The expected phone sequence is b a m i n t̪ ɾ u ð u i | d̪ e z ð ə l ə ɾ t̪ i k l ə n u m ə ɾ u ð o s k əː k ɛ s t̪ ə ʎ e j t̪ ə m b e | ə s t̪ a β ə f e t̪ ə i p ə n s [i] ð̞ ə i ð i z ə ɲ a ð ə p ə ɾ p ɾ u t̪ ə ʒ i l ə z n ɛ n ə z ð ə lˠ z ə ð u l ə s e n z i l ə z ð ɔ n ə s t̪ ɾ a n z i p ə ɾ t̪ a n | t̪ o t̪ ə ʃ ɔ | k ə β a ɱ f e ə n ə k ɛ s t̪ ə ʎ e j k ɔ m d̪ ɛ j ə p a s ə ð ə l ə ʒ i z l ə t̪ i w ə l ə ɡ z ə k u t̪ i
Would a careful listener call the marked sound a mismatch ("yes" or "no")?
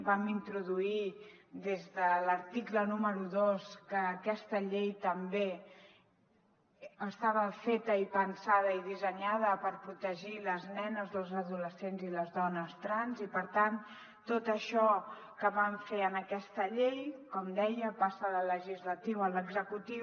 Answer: yes